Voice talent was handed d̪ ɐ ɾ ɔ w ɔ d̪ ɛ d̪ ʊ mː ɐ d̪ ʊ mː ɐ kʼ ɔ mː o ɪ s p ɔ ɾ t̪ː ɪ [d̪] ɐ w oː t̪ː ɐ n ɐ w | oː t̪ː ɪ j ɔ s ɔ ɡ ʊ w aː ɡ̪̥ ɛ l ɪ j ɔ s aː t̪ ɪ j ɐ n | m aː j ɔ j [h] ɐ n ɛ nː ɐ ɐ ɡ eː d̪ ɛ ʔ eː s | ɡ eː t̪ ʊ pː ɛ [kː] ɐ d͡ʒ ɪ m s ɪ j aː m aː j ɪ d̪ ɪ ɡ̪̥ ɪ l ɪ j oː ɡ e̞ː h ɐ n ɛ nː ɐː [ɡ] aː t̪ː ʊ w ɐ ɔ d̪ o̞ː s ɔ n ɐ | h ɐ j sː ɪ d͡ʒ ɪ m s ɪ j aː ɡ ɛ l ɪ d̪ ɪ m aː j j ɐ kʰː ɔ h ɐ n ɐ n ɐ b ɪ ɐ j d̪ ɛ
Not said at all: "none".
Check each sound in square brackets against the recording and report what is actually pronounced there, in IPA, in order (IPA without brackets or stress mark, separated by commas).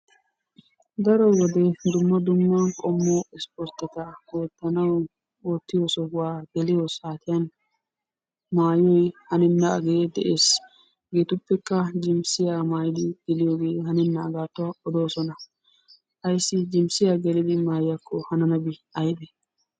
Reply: t̪, h, kː, ɡ